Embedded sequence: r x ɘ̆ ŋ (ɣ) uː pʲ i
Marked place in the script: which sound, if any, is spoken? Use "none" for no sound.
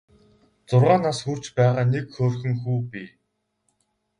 x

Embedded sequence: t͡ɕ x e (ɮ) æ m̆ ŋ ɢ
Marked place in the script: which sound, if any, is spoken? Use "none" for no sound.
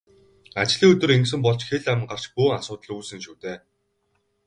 ɮ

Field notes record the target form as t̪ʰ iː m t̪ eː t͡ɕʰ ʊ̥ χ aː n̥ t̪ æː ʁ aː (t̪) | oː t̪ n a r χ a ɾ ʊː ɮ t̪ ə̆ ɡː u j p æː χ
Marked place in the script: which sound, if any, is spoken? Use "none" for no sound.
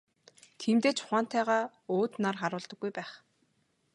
none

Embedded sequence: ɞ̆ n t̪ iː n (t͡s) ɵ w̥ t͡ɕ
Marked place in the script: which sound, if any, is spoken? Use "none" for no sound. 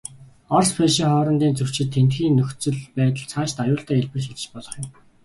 t͡s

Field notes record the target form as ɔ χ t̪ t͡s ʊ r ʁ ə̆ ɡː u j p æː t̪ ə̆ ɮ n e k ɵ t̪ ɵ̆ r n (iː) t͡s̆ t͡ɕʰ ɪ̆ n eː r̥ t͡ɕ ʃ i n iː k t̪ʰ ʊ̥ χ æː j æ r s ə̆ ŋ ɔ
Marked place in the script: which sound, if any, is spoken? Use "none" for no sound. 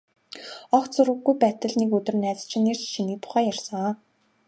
æː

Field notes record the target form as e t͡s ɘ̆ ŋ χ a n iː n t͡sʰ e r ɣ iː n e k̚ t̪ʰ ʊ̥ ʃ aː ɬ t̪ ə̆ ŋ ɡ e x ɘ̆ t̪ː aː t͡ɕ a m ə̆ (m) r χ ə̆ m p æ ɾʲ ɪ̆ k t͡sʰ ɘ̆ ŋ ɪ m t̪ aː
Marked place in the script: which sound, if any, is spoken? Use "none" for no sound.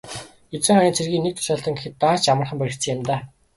none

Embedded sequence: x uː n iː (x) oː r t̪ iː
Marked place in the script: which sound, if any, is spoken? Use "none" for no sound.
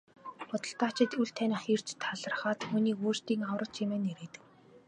k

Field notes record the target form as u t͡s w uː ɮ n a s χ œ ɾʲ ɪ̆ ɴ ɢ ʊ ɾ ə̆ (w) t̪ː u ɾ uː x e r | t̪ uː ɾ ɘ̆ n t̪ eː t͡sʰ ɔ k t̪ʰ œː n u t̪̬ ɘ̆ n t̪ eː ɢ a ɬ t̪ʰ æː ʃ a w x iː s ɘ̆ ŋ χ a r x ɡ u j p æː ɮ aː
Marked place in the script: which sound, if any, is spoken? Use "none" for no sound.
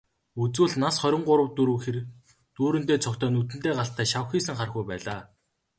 w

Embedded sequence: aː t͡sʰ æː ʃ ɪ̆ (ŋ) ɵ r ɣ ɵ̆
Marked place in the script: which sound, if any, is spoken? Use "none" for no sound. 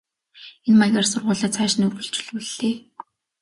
n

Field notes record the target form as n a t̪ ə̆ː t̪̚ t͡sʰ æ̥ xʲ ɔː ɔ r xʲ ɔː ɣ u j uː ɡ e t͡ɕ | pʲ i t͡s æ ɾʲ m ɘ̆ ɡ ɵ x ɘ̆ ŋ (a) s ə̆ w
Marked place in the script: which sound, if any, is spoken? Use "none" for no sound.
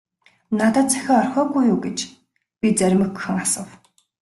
a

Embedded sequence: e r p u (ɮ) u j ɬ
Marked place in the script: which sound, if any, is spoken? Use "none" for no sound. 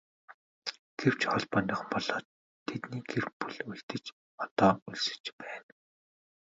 ɮ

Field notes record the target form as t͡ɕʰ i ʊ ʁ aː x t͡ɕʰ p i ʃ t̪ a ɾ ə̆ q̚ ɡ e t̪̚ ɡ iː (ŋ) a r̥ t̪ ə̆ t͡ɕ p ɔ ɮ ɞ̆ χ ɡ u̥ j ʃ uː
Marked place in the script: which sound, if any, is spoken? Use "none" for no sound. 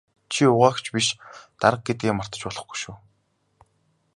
m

